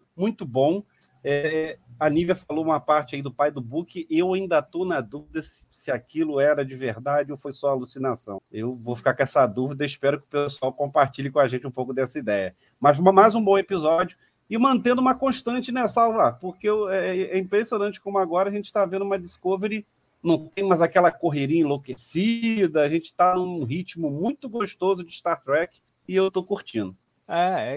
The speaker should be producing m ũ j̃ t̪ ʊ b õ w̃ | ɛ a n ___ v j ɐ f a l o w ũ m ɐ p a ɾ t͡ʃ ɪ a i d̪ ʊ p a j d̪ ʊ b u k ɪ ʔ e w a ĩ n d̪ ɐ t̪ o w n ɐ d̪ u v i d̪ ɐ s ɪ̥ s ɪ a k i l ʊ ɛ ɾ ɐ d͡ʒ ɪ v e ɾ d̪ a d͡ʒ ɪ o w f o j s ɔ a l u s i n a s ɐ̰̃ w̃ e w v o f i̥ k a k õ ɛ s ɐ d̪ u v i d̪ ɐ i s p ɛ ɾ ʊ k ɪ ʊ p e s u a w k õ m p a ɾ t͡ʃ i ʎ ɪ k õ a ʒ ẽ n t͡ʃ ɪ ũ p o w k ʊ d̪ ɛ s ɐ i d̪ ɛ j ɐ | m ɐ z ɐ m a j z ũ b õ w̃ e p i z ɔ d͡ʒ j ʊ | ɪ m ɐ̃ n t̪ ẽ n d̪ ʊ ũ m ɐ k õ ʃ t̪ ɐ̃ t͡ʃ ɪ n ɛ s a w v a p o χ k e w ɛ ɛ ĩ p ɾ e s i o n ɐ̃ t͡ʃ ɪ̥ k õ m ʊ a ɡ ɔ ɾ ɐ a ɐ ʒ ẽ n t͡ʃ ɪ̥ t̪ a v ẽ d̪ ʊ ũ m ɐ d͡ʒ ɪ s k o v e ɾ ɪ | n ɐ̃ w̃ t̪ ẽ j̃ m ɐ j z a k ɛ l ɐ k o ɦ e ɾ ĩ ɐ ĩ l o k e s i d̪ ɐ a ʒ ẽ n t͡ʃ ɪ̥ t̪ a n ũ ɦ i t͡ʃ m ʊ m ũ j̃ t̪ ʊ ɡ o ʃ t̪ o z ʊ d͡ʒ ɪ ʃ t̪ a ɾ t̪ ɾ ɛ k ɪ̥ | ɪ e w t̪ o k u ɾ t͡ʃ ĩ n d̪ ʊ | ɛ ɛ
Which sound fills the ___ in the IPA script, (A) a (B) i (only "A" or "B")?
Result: B